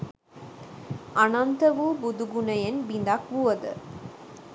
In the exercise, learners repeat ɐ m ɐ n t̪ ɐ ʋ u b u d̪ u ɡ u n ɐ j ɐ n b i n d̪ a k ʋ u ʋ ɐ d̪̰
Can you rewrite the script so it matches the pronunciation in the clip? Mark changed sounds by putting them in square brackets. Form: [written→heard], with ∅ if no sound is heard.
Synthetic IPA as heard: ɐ [m→n] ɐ n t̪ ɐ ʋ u b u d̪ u ɡ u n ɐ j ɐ n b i n d̪ a k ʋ u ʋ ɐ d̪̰